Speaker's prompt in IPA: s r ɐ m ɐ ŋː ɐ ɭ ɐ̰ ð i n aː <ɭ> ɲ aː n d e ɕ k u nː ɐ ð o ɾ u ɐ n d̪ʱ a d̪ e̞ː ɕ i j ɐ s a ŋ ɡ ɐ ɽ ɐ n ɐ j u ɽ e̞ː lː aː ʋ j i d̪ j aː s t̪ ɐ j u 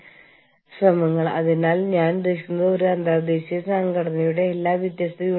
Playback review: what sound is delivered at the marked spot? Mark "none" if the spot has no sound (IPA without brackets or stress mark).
l